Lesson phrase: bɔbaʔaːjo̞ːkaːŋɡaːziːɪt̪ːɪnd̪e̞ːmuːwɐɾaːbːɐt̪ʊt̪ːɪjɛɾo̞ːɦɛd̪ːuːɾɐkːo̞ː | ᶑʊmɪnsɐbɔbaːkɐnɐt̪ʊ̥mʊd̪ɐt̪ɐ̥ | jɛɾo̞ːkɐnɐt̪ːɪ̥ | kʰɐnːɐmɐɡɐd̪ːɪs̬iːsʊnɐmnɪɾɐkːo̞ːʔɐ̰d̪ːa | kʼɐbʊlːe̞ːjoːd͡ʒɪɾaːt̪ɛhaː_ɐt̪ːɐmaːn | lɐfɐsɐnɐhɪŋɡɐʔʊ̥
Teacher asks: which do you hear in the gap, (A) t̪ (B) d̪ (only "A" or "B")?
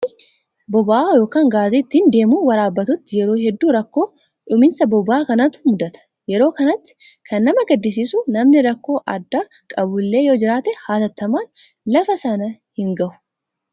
A